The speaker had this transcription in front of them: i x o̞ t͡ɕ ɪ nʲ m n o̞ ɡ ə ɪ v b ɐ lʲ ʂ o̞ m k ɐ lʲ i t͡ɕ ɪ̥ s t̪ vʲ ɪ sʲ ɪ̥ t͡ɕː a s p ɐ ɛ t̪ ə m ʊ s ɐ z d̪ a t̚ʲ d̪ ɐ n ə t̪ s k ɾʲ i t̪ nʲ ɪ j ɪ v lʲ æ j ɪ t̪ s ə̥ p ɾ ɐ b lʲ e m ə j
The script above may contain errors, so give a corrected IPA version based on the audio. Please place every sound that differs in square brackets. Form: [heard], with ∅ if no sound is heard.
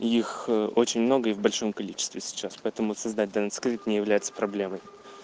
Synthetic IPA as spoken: i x o̞ t͡ɕ ɪ nʲ m n o̞ ɡ ə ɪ v b ɐ lʲ ʂ o̞ m k ɐ lʲ i t͡ɕ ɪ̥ s t̪ vʲ ɪ sʲ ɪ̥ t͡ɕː a s p ɐ ɛ t̪ ə m ʊ s ɐ z d̪ a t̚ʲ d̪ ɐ n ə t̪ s k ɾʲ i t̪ nʲ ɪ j ɪ v lʲ æ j ɪ t̪ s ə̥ p ɾ ɐ b lʲ e m ə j